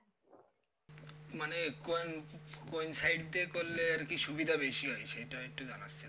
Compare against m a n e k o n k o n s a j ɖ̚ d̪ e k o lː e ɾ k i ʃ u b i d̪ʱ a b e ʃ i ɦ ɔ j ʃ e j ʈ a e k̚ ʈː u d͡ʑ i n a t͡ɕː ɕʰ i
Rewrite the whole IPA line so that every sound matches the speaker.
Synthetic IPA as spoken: m a n e k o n k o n s a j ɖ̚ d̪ e k o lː e ɾ k i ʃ u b i d̪ʱ a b e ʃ i ɦ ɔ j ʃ e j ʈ a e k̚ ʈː u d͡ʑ a n a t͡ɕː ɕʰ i

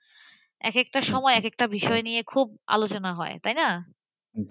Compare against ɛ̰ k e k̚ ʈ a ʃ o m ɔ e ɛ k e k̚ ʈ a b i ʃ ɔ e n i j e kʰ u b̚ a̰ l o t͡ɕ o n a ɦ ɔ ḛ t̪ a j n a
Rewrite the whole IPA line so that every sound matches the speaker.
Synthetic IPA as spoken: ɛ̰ k e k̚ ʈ a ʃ ɔ m ɔ e ɛ k e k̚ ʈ a b i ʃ ɔ e n i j e kʰ u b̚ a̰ l o t͡ɕ o n a ɦ ɔ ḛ t̪ a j n a

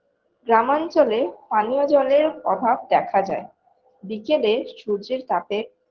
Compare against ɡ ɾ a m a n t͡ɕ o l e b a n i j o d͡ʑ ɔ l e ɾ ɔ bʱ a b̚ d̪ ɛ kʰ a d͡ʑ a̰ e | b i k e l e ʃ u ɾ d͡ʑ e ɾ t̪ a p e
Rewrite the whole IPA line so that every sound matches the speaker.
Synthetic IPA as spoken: ɡ ɾ a m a n t͡ɕ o l e p a n i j o d͡ʑ ɔ l e ɾ ɔ bʱ a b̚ d̪ ɛ kʰ a d͡ʑ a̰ e | b i k e l e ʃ u ɾ d͡ʑ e ɾ t̪ a p e

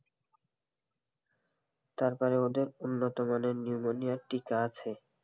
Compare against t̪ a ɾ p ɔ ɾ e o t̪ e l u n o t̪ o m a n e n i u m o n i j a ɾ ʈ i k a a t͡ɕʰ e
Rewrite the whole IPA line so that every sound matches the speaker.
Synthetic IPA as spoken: t̪ a ɾ p ɔ ɾ e o d̪ e ɾ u nː o t̪ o m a n e n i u m o n i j a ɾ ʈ i k a a t͡ɕʰ e

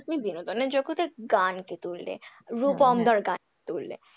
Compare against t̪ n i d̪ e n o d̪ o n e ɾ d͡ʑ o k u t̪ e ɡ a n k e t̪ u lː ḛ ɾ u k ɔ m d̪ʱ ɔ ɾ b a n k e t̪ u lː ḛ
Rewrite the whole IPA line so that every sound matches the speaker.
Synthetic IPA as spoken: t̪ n i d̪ i n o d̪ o n e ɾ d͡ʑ o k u t̪ e ɡ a n k e t̪ u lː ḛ ɾ u p ɔ m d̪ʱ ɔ ɾ ɡ a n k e t̪ u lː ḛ

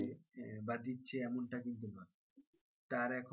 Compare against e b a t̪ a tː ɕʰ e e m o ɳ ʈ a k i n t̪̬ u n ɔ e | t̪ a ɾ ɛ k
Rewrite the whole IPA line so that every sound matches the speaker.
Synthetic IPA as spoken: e b a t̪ i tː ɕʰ e ɛ m o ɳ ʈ a k i n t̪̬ u n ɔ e | t̪ a ɾ ɛ kʰ

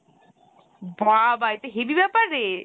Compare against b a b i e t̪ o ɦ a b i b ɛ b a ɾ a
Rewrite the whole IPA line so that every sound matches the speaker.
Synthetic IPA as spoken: b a b a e t̪ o ɦ e b i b ɛ p a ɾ e

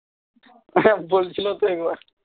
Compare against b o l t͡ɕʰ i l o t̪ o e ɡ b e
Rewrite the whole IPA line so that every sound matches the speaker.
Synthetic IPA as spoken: b o l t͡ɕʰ i l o t̪ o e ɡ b a

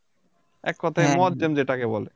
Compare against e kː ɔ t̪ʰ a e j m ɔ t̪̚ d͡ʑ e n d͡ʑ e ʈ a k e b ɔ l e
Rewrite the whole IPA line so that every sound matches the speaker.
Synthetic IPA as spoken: ɛ kː ɔ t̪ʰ a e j m ɔ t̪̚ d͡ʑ e m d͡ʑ e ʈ a k e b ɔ l e

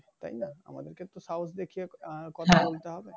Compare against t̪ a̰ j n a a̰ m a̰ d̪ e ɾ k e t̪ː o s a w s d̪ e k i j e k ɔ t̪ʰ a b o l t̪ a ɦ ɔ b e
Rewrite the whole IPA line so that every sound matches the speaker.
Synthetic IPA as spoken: t̪ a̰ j n a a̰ m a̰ d̪ e ɾ k e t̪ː o s a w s d̪ e kʰ i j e k ɔ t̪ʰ a b o l t̪ e ɦ ɔ b e

